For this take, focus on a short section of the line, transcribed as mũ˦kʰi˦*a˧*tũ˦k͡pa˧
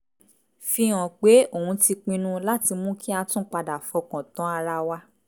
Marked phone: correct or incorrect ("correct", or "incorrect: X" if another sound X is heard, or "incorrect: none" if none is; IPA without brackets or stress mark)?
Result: correct